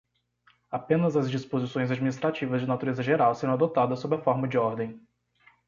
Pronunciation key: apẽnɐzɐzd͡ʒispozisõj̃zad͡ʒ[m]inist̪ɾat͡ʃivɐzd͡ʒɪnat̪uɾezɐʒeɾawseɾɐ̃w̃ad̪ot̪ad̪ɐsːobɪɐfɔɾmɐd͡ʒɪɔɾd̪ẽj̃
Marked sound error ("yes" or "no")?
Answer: no